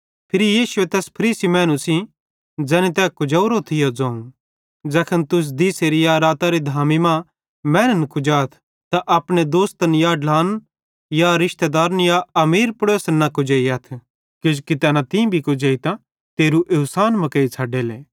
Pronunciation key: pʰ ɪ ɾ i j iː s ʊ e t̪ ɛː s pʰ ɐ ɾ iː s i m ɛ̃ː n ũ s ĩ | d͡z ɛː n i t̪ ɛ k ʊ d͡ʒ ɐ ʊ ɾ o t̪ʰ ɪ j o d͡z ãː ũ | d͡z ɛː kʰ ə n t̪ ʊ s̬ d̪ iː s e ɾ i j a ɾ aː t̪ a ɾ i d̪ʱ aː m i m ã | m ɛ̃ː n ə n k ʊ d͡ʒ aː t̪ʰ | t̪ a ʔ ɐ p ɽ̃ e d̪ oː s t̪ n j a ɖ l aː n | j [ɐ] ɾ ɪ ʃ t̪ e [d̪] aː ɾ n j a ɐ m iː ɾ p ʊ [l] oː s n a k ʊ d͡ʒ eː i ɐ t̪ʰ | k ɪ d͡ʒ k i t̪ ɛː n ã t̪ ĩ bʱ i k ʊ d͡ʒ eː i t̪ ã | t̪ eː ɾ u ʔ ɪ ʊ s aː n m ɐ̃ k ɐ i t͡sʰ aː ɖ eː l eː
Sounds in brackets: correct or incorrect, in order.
incorrect: a, correct, incorrect: ɽ

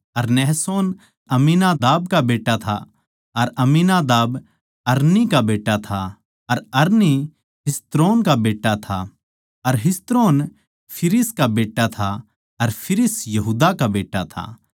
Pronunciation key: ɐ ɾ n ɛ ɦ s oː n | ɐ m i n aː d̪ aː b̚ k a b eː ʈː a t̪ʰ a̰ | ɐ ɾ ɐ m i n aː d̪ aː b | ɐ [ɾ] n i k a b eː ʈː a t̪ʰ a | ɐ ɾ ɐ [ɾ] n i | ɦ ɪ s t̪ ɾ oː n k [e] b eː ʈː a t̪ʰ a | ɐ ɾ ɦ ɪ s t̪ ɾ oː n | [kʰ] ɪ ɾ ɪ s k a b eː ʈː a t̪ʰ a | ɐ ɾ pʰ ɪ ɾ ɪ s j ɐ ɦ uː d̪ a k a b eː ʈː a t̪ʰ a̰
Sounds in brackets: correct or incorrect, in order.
correct, correct, incorrect: a, incorrect: pʰ

